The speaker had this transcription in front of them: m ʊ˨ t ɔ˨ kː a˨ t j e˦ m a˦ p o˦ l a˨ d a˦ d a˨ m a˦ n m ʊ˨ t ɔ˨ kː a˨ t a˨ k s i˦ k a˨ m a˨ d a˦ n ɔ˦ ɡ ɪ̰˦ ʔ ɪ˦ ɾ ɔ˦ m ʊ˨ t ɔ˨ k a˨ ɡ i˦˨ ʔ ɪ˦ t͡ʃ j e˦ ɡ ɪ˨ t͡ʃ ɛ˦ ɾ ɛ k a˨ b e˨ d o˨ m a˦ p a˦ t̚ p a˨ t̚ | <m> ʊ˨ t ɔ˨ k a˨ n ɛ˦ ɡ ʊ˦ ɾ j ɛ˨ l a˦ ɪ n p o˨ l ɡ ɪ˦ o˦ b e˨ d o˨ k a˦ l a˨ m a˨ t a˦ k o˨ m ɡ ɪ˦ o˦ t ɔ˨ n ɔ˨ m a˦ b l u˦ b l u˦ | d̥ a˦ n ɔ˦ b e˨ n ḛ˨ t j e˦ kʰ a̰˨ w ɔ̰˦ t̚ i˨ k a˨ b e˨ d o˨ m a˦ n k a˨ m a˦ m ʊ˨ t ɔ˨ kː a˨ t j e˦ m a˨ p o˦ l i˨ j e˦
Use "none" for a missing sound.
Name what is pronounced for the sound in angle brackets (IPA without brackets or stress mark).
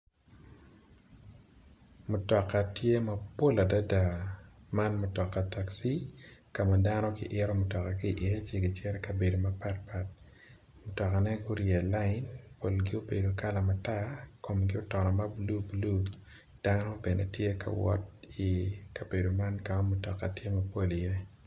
m